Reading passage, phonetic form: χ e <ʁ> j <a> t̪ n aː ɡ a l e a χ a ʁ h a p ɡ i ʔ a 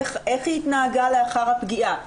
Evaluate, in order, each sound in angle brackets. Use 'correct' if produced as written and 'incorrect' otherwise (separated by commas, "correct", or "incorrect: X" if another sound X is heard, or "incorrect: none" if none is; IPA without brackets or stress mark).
incorrect: χ, incorrect: i